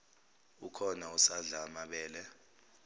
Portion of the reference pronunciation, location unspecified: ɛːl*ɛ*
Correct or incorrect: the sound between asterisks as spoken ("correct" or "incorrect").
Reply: correct